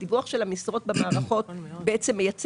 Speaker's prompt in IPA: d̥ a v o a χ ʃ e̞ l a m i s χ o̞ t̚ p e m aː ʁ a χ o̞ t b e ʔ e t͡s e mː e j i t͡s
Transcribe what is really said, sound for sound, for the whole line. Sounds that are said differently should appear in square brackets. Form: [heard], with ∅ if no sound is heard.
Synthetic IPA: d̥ [i] v [u] a χ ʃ e̞ l a m i s [ʁ] o̞ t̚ [b] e m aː ʁ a χ o̞ t b e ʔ e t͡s e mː e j [a] t͡s